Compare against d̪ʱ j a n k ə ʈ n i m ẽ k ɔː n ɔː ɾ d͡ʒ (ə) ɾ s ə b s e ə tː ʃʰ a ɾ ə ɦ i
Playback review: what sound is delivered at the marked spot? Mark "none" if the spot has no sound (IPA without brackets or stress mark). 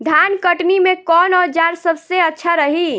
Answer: a